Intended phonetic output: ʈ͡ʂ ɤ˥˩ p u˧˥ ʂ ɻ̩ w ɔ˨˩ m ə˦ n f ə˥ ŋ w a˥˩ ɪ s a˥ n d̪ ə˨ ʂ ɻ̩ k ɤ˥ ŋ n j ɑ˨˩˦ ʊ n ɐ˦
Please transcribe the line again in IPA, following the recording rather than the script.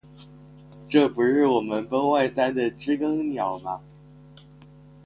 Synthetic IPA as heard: ʈ͡ʂ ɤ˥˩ p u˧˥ ʂ ɻ̩ w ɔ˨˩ m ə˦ n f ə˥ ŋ w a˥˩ ɪ s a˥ n d̪ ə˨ ʈ͡ʂ ɻ̩ k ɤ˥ ŋ n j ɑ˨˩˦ ʊ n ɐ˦

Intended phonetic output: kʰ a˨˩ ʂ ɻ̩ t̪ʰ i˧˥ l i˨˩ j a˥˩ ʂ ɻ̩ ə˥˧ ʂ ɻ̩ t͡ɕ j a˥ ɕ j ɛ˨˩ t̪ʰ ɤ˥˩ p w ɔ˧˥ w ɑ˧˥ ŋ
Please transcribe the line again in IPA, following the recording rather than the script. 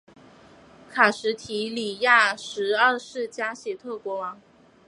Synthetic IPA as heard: kʰ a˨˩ ʂ ɻ̩ t̪ʰ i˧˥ l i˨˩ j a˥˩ ʂ ɻ̩ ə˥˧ ʂ ɻ̩ t͡ɕ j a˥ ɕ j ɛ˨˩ t̪ʰ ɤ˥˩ k w ɔ˧˥ w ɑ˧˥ ŋ

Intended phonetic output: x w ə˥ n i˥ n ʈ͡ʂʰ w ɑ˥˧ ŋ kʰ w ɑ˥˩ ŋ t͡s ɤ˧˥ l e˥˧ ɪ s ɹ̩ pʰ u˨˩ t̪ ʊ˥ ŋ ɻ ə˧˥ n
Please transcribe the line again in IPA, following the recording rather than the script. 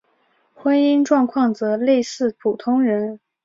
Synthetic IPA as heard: x w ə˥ n i˥ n ʈ͡ʂ w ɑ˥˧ ŋ kʰ w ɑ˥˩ ŋ t͡s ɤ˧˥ l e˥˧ ɪ s ɹ̩ pʰ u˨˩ t̪ʰ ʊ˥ ŋ ɻ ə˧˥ n

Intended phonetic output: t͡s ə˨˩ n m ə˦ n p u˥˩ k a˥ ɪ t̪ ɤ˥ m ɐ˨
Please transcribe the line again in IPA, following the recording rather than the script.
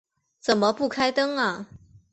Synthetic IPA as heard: t͡s ə˨˩ n m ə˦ p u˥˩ kʰ a˥ ɪ t̪ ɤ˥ ŋ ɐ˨

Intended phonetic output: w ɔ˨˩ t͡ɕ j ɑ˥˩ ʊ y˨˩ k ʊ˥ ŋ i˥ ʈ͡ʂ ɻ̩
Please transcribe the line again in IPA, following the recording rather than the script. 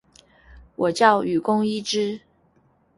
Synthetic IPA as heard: w ɔ˨˩ t͡ɕ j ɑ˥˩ ʊ y˨˩ k ʊ˥ ŋ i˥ ʈ͡ʂ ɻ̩

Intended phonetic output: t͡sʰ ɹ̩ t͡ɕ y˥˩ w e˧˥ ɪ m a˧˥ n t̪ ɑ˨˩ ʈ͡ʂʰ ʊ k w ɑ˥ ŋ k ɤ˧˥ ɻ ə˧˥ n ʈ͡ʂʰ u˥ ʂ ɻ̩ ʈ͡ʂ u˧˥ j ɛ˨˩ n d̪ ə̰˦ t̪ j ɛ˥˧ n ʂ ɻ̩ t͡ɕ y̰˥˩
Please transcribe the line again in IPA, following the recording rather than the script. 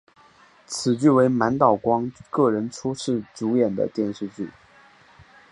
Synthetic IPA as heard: t͡sʰ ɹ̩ t͡ɕ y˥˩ w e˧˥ ɪ m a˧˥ n t̪ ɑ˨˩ ʊ k w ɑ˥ ŋ k ɤ˥˩ ɻ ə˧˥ n ʈ͡ʂʰ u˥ ʂ ɻ̩ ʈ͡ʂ u˧˥ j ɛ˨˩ n d̪ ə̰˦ t̪ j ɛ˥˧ n ʂ ɻ̩ t͡ɕ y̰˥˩

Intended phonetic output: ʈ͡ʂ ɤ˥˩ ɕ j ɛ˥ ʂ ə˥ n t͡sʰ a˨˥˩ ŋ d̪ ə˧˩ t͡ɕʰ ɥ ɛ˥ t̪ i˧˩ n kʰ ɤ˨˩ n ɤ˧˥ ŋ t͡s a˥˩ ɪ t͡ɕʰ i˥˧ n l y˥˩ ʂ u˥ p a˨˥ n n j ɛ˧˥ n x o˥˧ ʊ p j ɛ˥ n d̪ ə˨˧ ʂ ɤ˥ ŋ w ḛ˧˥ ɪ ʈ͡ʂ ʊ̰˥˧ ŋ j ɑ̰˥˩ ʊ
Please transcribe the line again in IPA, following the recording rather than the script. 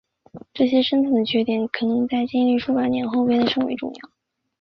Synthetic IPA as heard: ʈ͡ʂ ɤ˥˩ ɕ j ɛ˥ ʂ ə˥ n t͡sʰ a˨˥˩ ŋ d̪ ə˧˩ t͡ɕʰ ɥ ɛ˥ t̪ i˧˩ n kʰ ɤ˨˩ n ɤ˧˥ ŋ t͡s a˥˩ ɪ t͡ɕ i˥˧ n l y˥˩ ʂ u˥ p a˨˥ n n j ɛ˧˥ n x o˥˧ ʊ p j ɛ˥ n d̪ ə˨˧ ʂ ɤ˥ ŋ w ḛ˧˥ ɪ ʈ͡ʂ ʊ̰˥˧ ŋ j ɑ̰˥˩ ʊ

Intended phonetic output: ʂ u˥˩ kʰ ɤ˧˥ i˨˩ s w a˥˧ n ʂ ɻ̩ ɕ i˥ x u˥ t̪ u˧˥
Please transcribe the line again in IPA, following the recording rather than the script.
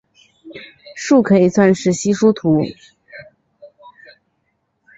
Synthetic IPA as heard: ʂ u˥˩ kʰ ɤ˧˥ i˨˩ s w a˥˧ n ʂ ɻ̩ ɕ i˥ ʂ u˥ t̪ʰ u˧˥

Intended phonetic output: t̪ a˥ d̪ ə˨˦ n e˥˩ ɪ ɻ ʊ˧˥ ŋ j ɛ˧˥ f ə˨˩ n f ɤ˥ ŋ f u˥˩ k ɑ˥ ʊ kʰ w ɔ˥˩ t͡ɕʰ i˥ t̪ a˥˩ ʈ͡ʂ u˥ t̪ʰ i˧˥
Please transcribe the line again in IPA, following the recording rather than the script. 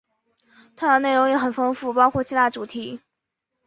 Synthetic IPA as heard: t̪ʰ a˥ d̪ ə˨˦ n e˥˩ ɪ ɻ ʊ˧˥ ŋ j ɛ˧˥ x ə˨˩ n f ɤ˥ ŋ f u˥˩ p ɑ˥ ʊ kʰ w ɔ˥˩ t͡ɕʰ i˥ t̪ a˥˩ ʈ͡ʂ u˨˩ t̪ʰ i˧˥

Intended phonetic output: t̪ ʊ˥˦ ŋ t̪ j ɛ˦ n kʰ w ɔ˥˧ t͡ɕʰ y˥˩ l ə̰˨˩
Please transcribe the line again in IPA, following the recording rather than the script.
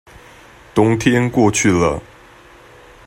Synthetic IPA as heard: t̪ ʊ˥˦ ŋ t̪ʰ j ɛ˦ n k w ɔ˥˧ t͡ɕʰ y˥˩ l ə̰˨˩

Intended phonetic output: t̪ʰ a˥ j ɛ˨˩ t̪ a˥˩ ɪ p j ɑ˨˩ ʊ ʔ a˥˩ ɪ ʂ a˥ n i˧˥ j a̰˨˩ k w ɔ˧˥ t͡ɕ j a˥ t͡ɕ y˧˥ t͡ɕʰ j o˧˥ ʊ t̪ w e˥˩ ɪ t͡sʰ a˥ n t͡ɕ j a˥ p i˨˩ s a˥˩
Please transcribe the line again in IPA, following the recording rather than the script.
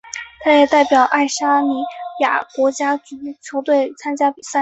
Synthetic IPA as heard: t̪ʰ a˥ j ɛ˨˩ t̪ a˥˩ ɪ p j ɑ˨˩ ʊ ʔ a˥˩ ɪ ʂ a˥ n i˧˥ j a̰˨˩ k w ɔ˧˥ t͡ɕ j a˥ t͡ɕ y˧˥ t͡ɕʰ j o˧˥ ʊ t̪ w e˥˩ ɪ t͡sʰ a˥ n t͡ɕ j a˥ p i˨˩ s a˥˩

